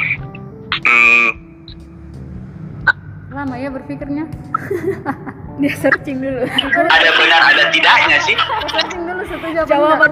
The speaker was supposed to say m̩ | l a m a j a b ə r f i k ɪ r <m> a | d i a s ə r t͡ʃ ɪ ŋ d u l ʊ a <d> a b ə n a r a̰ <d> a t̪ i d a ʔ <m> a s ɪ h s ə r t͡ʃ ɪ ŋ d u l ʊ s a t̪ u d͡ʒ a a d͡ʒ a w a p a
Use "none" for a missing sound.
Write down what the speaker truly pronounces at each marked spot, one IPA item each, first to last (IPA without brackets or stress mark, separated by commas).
ɲ, d, d, ɲ